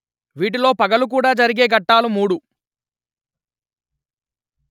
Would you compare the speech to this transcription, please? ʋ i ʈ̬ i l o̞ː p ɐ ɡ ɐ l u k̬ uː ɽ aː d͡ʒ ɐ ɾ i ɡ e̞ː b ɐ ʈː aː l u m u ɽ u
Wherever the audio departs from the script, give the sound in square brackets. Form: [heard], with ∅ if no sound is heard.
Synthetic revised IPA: ʋ [iː] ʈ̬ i l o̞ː p ɐ ɡ ɐ l u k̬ uː ɽ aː d͡ʒ ɐ ɾ i ɡ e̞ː [ɡ] ɐ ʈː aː l u m [uː] ɽ u